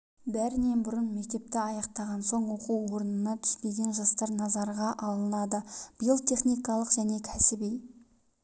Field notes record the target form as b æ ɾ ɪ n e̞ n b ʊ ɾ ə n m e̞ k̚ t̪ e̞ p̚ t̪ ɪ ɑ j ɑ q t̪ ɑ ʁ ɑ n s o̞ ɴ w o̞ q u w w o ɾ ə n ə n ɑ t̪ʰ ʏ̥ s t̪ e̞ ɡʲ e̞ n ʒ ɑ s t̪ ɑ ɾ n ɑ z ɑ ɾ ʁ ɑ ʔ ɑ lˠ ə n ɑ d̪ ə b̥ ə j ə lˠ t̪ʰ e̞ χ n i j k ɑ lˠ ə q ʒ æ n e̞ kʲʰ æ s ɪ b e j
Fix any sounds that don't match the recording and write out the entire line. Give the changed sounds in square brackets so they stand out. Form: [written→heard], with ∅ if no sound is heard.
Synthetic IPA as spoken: b æ ɾ ɪ n e̞ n b ʊ ɾ ə n m e̞ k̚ t̪ e̞ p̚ t̪ ɪ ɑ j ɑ q t̪ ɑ ʁ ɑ n s o̞ ɴ w o̞ q u w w o ɾ ə n ə n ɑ t̪ʰ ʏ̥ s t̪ e̞ ɡʲ e̞ n ʒ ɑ s t̪ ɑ ɾ n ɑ z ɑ ɾ ʁ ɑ ʔ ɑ lˠ ə n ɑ d̪ ə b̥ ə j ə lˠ t̪ʰ e̞ χ n i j k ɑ lˠ ə q ʒ æ n e̞ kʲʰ æ s ɪ b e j